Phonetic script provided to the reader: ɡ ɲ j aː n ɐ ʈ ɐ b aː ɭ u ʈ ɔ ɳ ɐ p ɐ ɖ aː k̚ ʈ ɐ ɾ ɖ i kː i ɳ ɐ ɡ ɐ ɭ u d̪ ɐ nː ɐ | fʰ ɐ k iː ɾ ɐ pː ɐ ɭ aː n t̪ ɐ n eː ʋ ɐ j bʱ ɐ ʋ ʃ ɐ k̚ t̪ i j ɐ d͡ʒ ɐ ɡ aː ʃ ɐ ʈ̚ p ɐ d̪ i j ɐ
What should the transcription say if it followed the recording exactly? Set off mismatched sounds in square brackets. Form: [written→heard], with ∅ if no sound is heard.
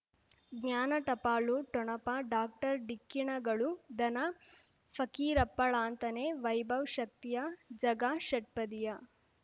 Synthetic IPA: ɡ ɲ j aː n ɐ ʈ ɐ [b→p] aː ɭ u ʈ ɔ ɳ ɐ p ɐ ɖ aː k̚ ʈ ɐ ɾ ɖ i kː i ɳ ɐ ɡ ɐ ɭ u d̪ ɐ [nː→n] ɐ | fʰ ɐ k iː ɾ ɐ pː ɐ ɭ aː n t̪ ɐ n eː ʋ ɐ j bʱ ɐ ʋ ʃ ɐ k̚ t̪ i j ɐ d͡ʒ ɐ ɡ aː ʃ ɐ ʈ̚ p ɐ d̪ i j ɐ